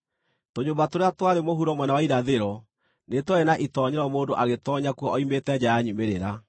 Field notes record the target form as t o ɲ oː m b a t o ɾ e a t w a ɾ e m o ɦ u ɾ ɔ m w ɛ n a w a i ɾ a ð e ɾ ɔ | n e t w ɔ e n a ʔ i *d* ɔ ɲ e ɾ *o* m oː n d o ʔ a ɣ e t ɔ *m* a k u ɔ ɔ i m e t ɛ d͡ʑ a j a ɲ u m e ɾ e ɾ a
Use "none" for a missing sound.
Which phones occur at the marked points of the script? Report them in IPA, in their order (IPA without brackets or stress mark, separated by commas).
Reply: t, ɔ, ɲ